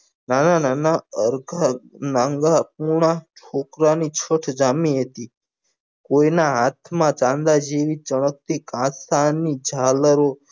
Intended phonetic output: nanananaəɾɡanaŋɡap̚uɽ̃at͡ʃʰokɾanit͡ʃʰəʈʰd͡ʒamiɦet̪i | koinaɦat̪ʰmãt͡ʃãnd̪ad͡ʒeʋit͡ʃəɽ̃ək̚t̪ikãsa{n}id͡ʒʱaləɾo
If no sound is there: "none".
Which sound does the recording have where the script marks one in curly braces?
n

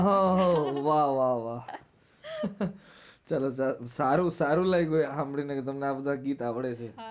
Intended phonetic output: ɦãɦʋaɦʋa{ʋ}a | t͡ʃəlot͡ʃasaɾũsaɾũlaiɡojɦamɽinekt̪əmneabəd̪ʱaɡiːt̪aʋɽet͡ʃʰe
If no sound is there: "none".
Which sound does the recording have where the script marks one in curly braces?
ʋ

